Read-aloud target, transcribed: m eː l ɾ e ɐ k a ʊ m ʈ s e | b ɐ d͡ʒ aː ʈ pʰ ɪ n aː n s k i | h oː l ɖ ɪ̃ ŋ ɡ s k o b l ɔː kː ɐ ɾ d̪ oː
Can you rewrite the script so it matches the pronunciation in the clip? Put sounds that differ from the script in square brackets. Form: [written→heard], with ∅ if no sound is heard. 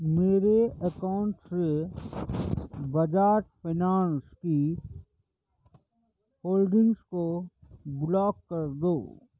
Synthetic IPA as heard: m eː [l→∅] ɾ e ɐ k a ʊ [m→ɳ] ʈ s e | b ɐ d͡ʒ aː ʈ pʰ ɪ n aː n s k i | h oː l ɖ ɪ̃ ŋ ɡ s k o b l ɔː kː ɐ ɾ d̪ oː

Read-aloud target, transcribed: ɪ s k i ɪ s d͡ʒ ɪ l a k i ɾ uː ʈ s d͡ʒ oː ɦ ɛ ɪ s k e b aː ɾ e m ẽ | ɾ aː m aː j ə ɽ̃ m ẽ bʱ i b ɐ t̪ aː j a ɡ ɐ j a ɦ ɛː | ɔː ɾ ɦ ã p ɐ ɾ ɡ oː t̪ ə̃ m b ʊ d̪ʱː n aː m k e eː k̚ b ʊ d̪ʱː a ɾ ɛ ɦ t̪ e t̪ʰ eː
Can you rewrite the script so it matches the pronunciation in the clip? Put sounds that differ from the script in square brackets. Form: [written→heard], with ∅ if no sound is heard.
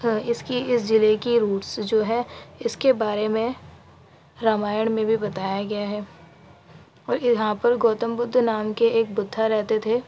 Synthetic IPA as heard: ɪ s k i ɪ s d͡ʒ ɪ l [a→e] k i ɾ uː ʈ s d͡ʒ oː ɦ ɛ ɪ s k e b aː ɾ e m ẽ | ɾ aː m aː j ə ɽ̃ m ẽ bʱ i b ɐ t̪ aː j a ɡ ɐ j a ɦ ɛː | ɔː ɾ ɦ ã p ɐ ɾ ɡ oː t̪ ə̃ m b ʊ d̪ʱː n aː m k e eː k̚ b ʊ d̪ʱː a ɾ ɛ ɦ t̪ e t̪ʰ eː

